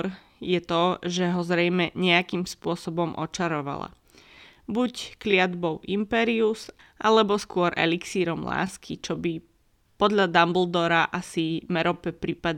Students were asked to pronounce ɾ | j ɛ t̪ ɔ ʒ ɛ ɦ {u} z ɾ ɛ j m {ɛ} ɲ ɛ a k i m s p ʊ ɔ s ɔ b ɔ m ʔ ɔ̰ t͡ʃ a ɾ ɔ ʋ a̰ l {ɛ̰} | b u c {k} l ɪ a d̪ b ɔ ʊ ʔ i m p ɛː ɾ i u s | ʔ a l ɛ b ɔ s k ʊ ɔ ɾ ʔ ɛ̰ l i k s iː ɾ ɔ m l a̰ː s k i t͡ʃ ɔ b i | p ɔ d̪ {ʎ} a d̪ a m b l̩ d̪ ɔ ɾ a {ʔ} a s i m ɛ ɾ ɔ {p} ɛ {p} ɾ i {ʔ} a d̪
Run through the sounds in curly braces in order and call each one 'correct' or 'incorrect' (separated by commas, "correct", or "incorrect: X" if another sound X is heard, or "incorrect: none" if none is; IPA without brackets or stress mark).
incorrect: ɔ, correct, incorrect: a̰, correct, correct, correct, correct, correct, incorrect: p